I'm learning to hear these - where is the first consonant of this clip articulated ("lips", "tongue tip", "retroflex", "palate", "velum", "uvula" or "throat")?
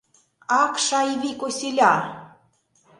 velum